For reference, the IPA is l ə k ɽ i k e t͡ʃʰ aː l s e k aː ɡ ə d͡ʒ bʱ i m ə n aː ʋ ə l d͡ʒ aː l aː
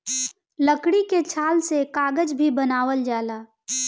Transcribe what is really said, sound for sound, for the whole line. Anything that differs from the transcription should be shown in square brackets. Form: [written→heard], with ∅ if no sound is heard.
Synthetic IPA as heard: l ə k ɽ i k e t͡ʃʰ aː l s e k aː ɡ ə d͡ʒ bʱ i [m→b] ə n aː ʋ ə l d͡ʒ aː l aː